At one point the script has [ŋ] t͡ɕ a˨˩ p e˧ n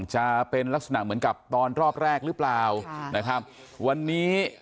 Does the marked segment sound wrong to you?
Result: no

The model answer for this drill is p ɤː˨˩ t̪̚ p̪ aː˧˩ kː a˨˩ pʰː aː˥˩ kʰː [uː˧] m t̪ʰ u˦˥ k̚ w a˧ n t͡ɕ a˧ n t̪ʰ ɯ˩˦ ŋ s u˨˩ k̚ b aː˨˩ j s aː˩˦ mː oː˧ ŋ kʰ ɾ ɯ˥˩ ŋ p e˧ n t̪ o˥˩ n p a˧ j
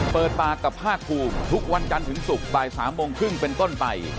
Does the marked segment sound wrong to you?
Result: no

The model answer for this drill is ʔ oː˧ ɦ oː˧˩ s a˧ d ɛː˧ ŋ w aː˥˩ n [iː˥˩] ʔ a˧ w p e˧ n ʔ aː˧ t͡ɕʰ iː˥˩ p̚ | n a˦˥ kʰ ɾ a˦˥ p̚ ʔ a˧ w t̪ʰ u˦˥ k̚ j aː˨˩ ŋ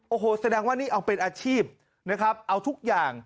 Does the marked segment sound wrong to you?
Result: no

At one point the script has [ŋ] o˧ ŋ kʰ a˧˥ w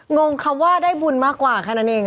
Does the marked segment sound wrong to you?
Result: no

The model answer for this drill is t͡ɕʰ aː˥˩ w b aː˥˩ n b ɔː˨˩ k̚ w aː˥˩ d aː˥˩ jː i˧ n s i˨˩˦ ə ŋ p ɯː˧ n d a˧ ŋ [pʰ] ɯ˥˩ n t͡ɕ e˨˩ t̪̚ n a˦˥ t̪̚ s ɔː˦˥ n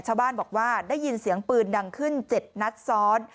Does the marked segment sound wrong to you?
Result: yes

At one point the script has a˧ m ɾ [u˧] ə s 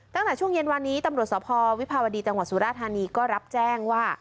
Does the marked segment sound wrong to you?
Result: yes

